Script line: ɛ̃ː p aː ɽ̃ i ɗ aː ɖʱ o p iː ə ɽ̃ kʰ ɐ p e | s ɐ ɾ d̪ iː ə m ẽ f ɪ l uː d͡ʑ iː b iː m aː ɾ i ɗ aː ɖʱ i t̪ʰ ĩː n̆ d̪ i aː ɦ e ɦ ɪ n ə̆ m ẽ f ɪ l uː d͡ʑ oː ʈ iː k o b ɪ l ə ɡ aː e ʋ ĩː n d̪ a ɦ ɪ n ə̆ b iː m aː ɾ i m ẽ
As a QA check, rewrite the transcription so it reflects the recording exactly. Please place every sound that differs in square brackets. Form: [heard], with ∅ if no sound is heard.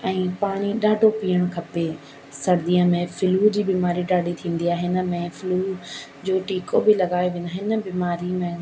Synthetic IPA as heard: ɛ̃ː p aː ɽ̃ i ɗ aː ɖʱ o p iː ə ɽ̃ kʰ ɐ p e | s ɐ ɾ d̪ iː ə m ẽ f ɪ l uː d͡ʑ iː b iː m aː ɾ i ɗ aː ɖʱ i t̪ʰ ĩː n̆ d̪ i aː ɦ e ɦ ɪ n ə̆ m ẽ f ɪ l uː d͡ʑ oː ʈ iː k o b ɪ l [ɐ] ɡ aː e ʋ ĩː n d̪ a ɦ ɪ n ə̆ b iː m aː ɾ i m ẽ